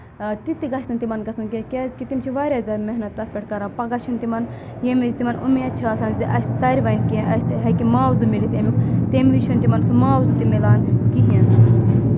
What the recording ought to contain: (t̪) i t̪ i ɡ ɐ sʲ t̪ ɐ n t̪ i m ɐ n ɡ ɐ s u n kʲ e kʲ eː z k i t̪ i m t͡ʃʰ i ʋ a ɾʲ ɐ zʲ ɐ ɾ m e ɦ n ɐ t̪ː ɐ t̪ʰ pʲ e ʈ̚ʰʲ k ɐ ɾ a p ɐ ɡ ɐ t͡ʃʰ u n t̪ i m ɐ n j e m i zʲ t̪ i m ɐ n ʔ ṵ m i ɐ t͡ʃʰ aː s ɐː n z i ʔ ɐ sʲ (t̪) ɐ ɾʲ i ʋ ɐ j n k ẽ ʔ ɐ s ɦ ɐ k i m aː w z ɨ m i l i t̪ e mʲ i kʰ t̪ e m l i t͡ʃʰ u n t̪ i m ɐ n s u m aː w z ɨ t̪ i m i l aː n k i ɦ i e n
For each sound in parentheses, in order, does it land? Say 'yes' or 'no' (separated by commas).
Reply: yes, yes